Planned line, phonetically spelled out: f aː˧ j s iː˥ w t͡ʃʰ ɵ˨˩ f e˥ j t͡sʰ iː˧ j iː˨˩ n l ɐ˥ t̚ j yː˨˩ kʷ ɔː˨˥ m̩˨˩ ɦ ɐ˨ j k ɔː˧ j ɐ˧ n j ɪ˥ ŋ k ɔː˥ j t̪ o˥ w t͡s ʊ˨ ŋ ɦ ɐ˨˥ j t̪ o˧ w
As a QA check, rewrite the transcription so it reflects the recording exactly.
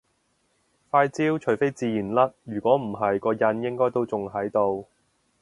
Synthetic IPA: f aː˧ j t͡s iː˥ w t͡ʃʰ ɵ˨˩ f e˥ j t͡s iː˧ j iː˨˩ n l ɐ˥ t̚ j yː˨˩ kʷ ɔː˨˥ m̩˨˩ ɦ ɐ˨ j k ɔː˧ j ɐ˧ n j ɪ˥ ŋ k ɔː˥ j t̪ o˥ w t͡s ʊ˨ ŋ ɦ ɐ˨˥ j t̪ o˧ w

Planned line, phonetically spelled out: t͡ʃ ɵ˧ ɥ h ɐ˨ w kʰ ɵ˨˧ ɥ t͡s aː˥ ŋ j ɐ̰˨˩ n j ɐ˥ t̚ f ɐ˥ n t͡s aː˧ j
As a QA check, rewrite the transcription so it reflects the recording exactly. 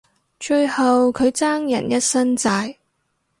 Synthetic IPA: t͡ʃ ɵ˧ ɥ h ɐ˨ w kʰ ɵ˨˧ ɥ t͡s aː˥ ŋ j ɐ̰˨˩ n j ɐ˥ t̚ s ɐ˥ n t͡s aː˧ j

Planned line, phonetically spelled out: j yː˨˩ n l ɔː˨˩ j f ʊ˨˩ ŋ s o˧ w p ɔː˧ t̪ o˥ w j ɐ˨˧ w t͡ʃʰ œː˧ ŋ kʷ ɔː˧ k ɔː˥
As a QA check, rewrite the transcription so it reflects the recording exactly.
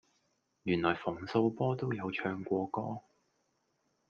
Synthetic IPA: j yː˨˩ n l ɔː˨˩ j f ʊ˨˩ ŋ s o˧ w p ɔː˥ t̪ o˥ w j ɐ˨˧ w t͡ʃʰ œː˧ ŋ kʷ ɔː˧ k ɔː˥

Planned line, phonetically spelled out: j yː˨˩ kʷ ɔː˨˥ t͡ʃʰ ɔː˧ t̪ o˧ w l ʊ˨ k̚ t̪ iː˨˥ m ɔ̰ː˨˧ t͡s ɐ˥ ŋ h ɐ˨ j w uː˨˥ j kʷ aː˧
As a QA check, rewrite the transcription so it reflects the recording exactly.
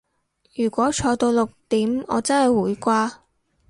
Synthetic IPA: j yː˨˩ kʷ ɔː˨˥ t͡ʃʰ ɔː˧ t̪ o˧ w l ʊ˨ k̚ t̪ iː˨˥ m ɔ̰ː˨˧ t͡s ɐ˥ n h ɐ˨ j w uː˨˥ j kʷ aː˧

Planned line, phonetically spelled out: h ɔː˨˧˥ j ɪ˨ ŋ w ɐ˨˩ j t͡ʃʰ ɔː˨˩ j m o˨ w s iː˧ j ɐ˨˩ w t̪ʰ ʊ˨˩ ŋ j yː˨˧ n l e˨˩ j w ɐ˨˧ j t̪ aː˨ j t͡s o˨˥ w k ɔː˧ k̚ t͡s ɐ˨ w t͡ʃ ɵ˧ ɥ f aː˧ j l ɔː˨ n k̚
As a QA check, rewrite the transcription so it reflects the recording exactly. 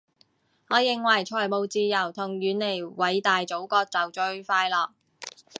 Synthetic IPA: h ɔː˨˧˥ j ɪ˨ ŋ w ɐ˨˩ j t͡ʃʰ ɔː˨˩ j m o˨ w t͡s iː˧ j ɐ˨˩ w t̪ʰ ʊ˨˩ ŋ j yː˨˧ n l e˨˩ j w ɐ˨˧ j t̪ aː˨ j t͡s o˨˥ w k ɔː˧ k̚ t͡s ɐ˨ w t͡ʃ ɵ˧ ɥ f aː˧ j l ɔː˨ k̚

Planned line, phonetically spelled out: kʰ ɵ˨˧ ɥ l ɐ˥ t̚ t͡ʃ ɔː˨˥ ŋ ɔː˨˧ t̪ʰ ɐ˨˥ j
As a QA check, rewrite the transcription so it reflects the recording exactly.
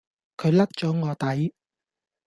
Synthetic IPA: kʰ ɵ˨˧ ɥ l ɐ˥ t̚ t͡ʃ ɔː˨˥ ŋ ɔː˨˧ t̪ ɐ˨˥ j

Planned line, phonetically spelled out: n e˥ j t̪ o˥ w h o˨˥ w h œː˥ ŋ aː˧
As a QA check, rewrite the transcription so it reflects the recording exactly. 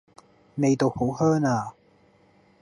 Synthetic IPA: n e˨˧ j t̪ o˨ w h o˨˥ w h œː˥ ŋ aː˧

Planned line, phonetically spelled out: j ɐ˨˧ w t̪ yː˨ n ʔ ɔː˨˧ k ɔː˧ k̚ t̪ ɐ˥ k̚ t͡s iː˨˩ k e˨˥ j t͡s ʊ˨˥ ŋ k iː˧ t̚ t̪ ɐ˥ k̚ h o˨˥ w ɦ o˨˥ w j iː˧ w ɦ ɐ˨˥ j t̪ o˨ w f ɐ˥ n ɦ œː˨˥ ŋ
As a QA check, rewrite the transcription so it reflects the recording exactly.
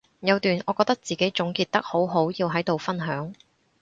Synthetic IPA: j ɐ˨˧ w t̪ yː˨ n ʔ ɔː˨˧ k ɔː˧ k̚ t̪ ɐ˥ k̚ t͡s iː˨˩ k e˨˥ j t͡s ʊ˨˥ ŋ k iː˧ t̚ t̪ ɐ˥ k̚ h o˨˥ w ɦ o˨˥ w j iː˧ w ɦ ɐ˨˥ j t̪ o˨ w f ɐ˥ n ɦ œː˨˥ ŋ

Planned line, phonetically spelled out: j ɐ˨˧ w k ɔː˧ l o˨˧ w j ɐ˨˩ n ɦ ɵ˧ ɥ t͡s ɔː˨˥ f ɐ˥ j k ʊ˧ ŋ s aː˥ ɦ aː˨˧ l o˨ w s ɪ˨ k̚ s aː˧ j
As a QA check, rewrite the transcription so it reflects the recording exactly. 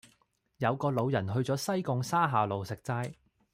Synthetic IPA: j ɐ˨˧ w k ɔː˧ l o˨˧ w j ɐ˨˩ n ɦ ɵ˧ ɥ t͡s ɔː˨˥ s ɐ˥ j k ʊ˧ ŋ s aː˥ ɦ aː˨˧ l o˨ w s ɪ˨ k̚ t͡s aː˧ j

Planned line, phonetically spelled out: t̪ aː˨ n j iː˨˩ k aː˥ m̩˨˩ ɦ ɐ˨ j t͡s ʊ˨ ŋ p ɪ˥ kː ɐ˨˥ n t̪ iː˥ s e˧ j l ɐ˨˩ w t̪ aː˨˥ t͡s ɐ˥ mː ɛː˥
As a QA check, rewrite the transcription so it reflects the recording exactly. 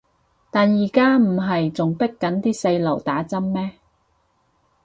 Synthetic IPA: t̪ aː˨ n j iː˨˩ k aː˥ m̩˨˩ ɦ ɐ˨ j t͡s ʊ˨ ŋ p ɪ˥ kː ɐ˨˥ n t̪ iː˥ s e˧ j l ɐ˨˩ w t̪ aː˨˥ t͡s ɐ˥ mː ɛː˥

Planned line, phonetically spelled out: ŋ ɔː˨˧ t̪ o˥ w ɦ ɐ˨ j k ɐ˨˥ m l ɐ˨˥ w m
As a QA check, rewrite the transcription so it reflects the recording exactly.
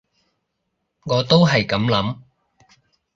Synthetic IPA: ŋ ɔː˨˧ t̪ o˥ w ɦ ɐ˨ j k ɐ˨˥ m l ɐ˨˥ m

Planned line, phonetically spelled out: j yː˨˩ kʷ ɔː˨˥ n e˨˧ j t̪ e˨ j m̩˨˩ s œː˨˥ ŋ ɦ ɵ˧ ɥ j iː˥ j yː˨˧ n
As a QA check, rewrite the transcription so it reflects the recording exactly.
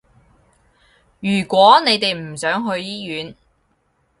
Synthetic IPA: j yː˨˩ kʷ ɔː˨˥ n e˨˧ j t̪ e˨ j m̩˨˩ s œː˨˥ ŋ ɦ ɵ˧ ɥ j iː˥ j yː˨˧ n

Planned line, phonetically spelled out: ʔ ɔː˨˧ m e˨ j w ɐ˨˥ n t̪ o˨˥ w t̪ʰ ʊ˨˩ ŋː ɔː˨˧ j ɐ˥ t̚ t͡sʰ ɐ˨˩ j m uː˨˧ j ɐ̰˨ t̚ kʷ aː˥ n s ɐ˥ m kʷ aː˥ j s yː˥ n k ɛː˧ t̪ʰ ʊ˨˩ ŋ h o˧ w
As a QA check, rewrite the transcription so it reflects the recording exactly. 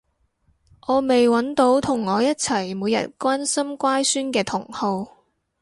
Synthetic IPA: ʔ ɔː˨˧ m e˨ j w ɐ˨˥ n t̪ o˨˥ w t̪ʰ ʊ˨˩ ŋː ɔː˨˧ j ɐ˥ t̚ t͡sʰ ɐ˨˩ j m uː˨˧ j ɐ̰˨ t̚ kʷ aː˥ n s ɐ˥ m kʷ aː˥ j s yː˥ n k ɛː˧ t̪ʰ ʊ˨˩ ŋ h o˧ w

